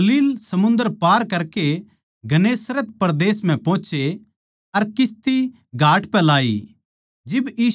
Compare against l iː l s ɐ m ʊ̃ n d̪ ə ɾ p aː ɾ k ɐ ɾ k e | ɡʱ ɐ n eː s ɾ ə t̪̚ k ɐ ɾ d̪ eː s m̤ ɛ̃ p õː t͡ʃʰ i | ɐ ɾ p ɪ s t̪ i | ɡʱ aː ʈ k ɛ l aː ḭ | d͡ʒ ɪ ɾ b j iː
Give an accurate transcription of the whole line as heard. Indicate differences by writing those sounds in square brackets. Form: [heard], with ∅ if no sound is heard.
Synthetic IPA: l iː l s ɐ m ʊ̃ n d̪ ə ɾ p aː ɾ k ɐ ɾ k e | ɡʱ ɐ n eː s ɾ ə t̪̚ [p] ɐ ɾ d̪ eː s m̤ ɛ̃ p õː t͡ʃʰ [e] | ɐ ɾ [k] ɪ s t̪ i | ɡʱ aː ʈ [p] ɛ l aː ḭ | d͡ʒ ɪ [∅] b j iː